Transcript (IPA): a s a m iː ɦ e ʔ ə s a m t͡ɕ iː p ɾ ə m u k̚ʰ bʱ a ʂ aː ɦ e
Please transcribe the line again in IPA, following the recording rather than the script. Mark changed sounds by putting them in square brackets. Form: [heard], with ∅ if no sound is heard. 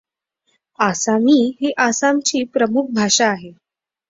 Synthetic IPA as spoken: a s a m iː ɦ e ʔ [a] s a m t͡ɕ iː p ɾ ə m u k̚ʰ bʱ a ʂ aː ɦ e